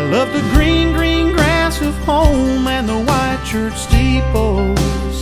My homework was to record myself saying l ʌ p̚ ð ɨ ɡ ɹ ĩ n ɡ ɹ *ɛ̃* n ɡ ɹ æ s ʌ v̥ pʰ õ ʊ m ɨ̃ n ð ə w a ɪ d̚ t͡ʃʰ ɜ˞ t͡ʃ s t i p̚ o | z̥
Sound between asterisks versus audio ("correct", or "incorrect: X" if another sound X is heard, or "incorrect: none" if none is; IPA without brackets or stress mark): incorrect: ĩ